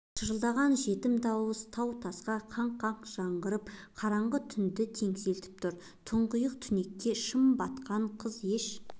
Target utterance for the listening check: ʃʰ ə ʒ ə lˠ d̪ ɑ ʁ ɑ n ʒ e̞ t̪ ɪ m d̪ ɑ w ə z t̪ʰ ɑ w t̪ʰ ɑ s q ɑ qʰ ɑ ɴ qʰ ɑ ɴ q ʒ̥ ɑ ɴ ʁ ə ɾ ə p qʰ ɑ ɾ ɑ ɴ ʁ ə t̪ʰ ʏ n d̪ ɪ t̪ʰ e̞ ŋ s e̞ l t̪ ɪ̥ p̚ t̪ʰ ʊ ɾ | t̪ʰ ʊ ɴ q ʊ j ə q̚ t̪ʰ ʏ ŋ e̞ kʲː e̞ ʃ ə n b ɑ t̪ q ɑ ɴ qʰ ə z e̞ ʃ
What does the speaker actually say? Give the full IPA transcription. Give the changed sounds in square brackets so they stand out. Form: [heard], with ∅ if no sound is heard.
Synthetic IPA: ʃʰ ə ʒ ə lˠ d̪ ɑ ʁ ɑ n ʒ e̞ t̪ ɪ m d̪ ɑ w ə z t̪ʰ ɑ w t̪ʰ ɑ s q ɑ qʰ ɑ ɴ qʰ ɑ ɴ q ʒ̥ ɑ ɴ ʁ ə ɾ ə p qʰ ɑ ɾ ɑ ɴ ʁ ə t̪ʰ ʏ n d̪ ɪ t̪ʰ e̞ ŋ s e̞ l t̪ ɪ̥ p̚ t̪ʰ ʊ ɾ | t̪ʰ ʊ ɴ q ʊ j ə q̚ t̪ʰ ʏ [n] e̞ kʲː e̞ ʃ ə [m] b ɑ t̪ q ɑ ɴ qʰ ə z e̞ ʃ